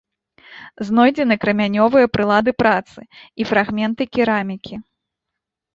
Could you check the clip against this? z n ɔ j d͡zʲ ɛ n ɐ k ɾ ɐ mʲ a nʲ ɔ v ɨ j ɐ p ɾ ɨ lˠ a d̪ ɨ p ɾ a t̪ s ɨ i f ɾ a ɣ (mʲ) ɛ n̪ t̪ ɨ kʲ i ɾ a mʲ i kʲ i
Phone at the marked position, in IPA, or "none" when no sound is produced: mʲ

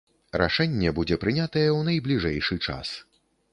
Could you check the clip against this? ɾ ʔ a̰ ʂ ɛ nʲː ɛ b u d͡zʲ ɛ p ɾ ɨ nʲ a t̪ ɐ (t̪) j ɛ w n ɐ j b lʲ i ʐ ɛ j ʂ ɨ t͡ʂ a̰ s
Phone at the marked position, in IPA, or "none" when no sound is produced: none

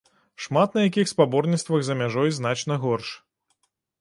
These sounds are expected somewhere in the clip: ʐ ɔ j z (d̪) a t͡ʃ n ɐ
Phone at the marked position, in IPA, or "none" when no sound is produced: n̪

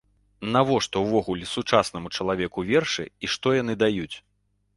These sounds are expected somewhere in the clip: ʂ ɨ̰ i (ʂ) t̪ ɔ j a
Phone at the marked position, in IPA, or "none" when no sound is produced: ʂ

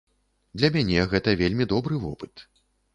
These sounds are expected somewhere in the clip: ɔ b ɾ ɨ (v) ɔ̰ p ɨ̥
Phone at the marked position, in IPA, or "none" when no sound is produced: v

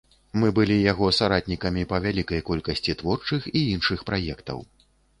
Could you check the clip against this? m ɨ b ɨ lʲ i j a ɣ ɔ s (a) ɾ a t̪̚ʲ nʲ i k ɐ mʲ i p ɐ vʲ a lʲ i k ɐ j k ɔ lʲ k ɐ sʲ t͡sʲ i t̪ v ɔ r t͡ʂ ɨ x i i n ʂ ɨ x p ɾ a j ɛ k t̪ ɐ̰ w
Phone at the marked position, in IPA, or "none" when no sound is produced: a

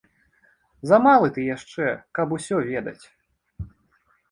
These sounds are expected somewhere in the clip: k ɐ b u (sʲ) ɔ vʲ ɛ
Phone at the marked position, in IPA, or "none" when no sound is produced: sʲ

